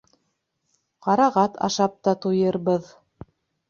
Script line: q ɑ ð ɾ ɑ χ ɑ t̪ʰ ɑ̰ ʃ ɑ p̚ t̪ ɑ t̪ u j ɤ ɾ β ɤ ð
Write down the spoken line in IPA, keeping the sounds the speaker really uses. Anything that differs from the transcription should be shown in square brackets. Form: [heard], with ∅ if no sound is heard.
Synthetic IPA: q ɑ [∅] ɾ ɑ [ʁ] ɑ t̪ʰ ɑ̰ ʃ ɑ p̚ t̪ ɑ t̪ u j ɤ ɾ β ɤ ð